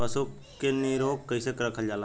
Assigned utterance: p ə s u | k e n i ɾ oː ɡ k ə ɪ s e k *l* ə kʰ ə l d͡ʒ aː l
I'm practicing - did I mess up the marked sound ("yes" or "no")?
yes